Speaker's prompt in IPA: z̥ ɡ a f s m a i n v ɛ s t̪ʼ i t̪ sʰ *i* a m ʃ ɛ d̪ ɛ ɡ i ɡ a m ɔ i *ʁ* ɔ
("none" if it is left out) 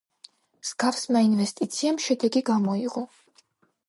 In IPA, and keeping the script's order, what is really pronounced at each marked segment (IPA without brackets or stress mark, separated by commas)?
i, ʁ